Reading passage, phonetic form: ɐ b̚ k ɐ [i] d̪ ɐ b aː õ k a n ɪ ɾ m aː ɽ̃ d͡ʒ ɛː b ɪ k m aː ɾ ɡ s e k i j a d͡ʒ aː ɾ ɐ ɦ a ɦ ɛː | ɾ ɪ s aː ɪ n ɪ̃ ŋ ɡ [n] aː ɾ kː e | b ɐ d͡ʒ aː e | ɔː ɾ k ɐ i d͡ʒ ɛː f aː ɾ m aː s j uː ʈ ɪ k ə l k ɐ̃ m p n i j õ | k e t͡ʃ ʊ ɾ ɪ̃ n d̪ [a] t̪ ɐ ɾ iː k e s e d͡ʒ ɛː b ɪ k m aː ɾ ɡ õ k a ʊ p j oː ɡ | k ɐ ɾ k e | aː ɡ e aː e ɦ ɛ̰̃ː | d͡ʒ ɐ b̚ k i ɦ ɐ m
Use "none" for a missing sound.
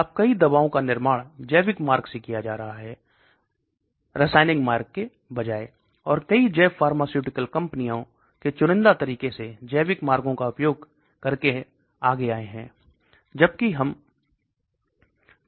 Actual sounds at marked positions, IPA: i, m, a

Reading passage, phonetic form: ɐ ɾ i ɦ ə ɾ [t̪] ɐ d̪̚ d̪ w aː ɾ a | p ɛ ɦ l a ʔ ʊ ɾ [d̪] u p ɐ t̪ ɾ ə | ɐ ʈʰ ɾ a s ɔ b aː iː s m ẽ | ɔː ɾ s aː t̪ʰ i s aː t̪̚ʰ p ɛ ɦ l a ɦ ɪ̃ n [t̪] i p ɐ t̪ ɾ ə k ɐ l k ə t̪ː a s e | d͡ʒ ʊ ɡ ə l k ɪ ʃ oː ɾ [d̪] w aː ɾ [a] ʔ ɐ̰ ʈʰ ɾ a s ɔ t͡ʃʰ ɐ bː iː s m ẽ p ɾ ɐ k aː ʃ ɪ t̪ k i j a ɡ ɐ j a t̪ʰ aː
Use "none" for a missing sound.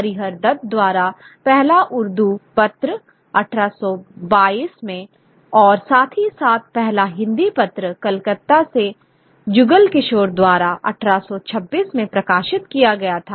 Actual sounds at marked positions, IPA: d̪, d̪, d̪, d̪, a

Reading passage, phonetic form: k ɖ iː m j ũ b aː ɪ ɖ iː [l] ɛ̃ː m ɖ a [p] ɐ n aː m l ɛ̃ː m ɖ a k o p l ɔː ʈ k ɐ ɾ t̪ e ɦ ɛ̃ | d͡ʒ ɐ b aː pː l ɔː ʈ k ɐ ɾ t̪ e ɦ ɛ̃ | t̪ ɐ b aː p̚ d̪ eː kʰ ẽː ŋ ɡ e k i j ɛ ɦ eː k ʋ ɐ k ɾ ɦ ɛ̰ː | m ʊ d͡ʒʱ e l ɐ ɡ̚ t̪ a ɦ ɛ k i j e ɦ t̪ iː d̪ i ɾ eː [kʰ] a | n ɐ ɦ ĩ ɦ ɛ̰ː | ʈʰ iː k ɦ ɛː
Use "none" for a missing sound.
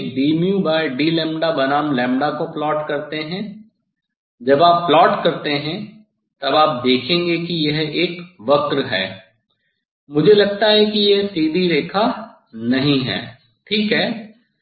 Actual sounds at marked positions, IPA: l, b, kʰ

